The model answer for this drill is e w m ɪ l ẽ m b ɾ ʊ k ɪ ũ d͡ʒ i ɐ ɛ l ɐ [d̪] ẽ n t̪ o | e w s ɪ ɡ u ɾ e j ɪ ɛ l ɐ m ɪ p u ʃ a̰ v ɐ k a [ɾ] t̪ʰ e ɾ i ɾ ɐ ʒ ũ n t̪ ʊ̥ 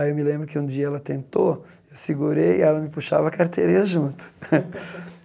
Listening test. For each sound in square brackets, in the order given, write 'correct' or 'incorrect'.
incorrect: t̪, correct

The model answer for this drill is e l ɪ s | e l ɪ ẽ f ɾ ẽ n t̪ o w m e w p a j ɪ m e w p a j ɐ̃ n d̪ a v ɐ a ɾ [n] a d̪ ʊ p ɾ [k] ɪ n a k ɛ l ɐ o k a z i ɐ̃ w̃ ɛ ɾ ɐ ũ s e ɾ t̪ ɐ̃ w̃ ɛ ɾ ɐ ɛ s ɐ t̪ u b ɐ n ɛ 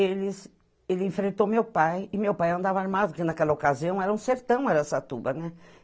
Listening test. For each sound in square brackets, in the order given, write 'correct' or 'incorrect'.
incorrect: m, correct

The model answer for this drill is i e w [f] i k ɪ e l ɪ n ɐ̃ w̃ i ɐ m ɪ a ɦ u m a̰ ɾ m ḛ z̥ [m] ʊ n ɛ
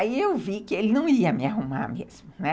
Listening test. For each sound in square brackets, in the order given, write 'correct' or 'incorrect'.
incorrect: v, correct

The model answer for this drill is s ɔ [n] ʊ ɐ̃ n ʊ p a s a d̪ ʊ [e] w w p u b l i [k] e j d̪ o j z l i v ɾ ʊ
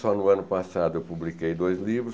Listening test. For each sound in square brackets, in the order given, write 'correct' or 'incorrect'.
correct, correct, correct

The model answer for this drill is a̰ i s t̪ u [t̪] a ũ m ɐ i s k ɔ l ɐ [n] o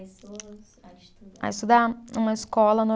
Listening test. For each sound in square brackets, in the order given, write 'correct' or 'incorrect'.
incorrect: d̪, correct

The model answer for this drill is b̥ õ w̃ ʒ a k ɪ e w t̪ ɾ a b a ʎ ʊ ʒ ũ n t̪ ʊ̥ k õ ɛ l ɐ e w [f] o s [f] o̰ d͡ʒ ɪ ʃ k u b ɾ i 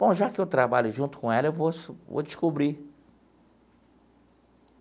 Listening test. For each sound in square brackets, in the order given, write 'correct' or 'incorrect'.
incorrect: v, incorrect: v

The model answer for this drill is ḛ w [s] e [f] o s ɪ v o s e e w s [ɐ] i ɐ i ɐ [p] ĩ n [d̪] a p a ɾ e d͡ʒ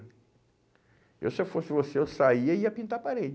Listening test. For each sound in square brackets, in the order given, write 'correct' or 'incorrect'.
correct, correct, incorrect: a, correct, incorrect: t̪

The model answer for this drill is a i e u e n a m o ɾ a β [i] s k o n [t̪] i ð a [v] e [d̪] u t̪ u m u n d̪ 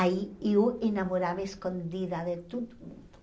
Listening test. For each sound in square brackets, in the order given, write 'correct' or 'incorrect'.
incorrect: e, incorrect: d̪, incorrect: ð, incorrect: t̪

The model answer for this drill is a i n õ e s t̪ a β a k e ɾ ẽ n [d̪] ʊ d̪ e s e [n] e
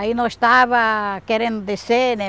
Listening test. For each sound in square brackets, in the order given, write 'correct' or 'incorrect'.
correct, correct

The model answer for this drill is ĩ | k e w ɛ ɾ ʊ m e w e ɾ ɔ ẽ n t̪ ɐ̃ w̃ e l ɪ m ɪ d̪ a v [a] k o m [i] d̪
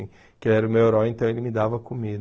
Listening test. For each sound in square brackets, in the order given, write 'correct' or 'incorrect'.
incorrect: ɐ, correct

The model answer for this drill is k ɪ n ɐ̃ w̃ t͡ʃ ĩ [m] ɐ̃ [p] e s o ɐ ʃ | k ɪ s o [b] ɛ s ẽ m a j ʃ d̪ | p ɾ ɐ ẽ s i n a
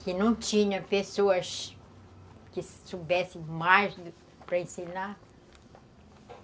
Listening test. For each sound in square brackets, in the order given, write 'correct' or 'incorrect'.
incorrect: ɲ, correct, correct

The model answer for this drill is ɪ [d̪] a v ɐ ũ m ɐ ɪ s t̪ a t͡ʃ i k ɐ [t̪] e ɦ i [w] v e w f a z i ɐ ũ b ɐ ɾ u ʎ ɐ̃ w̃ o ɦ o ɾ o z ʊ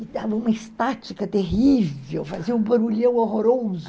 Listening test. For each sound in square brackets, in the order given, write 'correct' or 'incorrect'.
correct, correct, incorrect: none

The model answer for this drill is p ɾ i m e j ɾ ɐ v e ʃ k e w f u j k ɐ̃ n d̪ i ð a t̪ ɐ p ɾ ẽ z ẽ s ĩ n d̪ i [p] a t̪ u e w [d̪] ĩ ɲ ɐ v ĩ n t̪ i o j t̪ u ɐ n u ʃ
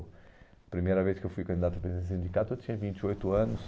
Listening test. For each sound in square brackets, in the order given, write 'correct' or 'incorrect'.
incorrect: k, incorrect: t̪

